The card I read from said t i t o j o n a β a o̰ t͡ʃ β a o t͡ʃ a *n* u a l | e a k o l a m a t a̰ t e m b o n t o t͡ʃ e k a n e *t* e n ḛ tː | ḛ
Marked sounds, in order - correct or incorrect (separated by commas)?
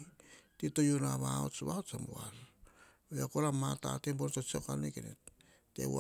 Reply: incorrect, incorrect